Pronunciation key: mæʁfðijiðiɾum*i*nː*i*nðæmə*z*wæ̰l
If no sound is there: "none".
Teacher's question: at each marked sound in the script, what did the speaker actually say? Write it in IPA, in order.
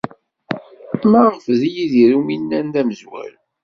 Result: i, æ, z

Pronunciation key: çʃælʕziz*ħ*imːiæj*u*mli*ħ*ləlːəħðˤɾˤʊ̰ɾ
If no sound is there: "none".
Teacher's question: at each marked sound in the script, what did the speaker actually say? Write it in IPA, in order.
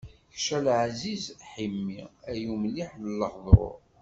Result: ħ, u, ħ

